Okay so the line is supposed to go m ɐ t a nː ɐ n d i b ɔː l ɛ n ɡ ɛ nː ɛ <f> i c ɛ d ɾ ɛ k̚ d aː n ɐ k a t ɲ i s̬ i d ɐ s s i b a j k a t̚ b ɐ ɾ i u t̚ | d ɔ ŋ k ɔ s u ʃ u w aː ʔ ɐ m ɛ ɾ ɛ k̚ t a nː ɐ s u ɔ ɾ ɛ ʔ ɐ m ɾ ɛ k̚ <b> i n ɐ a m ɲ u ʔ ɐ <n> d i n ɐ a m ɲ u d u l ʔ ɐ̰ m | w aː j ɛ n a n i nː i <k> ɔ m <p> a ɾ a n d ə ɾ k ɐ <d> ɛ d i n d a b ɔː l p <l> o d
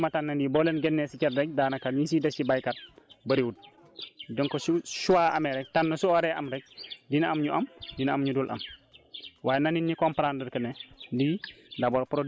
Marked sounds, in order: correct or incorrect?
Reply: incorrect, incorrect, incorrect, correct, correct, incorrect, incorrect

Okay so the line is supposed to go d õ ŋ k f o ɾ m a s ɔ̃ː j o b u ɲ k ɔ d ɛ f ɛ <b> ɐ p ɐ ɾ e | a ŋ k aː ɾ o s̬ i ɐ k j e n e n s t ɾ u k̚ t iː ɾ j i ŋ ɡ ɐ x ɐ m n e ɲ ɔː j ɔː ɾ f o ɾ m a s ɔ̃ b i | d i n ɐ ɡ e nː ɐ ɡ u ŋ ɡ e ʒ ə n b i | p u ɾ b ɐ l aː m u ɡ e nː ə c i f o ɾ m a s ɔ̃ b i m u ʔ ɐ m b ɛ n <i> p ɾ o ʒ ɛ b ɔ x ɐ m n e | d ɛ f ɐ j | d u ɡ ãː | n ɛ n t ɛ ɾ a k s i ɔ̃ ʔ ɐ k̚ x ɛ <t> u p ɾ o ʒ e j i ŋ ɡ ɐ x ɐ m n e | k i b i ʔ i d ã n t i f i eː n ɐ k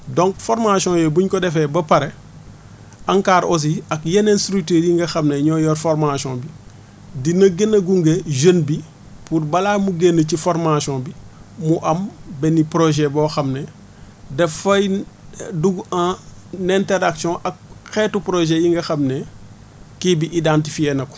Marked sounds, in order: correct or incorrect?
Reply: correct, correct, correct

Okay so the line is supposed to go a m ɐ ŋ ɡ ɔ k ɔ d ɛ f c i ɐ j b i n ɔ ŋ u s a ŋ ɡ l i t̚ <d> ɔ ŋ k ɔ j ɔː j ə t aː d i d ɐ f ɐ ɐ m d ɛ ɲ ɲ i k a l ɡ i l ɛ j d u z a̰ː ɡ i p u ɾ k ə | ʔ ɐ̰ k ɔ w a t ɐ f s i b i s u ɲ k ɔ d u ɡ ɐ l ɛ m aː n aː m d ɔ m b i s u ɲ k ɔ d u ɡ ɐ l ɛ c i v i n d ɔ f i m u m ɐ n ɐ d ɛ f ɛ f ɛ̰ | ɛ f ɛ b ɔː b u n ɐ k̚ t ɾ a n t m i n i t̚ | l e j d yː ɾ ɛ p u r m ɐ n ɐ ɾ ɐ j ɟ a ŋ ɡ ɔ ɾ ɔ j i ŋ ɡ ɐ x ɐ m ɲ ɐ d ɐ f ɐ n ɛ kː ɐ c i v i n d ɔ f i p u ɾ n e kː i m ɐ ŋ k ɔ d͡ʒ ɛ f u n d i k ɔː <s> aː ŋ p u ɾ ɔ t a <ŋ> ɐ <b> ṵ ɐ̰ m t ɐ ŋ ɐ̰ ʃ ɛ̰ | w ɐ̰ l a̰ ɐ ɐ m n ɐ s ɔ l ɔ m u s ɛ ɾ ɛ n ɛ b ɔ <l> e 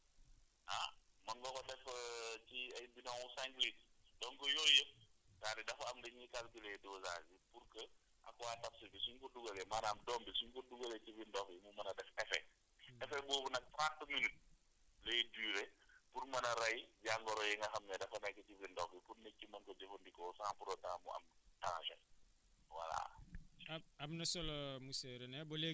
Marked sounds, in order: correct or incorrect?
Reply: correct, correct, correct, incorrect, correct

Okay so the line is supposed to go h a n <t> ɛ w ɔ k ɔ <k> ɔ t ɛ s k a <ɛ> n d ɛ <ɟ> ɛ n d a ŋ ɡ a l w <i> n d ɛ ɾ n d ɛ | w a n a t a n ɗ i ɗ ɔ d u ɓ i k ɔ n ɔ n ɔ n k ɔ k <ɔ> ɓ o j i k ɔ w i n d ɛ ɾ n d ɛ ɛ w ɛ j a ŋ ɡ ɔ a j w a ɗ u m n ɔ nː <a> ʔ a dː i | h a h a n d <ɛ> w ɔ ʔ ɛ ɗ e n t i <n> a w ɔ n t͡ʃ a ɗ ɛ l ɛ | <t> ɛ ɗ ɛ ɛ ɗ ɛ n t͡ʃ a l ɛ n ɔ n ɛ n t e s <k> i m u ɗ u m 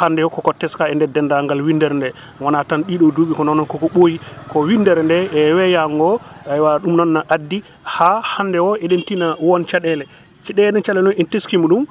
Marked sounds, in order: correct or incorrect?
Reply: incorrect, correct, correct, incorrect, correct, correct, correct, correct, correct, incorrect, correct

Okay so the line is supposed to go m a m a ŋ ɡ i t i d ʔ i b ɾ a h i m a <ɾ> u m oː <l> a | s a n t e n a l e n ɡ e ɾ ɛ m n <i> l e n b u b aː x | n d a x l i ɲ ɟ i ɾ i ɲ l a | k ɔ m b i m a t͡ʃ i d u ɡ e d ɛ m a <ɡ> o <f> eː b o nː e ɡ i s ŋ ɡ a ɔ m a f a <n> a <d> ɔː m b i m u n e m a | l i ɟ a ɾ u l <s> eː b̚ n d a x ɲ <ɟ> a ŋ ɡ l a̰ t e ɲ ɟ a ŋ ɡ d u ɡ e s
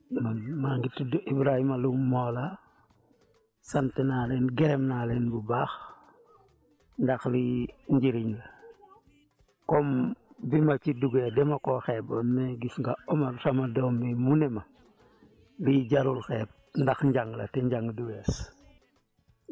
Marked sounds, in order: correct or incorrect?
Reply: incorrect, correct, incorrect, incorrect, incorrect, incorrect, correct, incorrect, correct

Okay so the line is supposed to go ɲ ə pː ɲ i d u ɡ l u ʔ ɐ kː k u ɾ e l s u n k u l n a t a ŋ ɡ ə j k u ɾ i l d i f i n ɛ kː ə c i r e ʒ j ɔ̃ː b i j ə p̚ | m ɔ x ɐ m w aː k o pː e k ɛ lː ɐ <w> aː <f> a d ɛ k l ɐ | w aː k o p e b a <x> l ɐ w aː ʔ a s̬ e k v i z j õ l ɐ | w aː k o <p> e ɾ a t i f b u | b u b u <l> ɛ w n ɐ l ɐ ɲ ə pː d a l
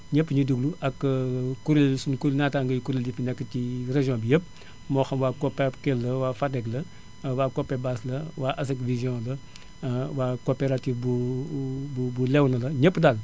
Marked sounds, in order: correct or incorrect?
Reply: correct, correct, incorrect, correct, correct

